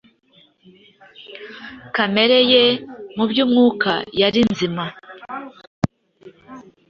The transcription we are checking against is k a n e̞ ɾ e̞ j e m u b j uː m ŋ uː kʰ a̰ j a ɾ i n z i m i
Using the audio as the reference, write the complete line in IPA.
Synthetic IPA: k a m e̞ ɾ e̞ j e m u b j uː m ŋ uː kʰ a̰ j a ɾ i n z i m a